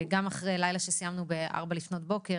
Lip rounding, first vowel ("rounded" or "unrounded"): unrounded